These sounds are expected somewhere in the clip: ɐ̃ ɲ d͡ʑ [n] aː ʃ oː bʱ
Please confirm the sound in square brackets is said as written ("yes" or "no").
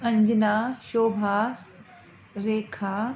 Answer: yes